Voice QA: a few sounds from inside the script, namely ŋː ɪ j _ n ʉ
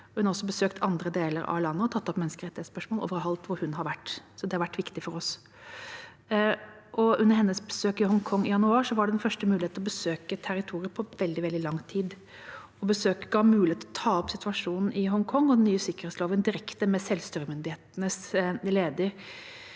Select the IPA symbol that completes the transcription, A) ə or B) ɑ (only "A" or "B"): B